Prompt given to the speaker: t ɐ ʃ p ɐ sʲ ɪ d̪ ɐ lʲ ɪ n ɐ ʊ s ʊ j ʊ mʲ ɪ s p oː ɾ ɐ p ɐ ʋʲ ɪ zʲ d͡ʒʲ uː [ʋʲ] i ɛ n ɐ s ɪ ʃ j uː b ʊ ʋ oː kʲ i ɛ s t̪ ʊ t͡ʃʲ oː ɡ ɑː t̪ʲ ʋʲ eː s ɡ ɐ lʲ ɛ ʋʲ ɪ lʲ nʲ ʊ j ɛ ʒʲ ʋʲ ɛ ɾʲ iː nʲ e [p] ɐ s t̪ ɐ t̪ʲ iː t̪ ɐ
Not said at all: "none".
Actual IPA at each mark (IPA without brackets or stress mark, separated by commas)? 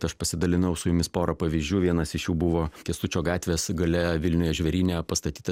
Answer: ʋʲ, p